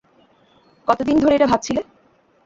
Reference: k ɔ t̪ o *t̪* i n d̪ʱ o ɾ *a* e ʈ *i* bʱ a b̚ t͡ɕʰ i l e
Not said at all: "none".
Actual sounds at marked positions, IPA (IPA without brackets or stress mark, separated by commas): d̪, e, a